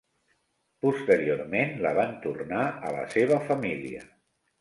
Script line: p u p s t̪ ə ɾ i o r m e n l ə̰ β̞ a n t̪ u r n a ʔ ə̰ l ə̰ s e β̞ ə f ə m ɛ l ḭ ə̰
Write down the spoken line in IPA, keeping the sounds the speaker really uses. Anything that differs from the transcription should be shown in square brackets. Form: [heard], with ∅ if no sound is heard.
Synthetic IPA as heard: p u [∅] s t̪ ə ɾ i o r m e n l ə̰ β̞ a n t̪ u r n a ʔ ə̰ l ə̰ s e β̞ ə f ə m [i] l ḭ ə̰